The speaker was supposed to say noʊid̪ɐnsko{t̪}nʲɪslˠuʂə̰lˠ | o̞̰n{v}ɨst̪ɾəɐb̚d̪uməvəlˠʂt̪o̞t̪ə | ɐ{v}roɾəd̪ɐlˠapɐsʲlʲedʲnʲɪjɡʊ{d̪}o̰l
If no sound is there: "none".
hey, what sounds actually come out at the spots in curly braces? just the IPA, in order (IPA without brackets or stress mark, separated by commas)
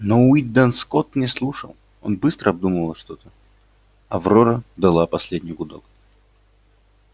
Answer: t̪, b, v, d̪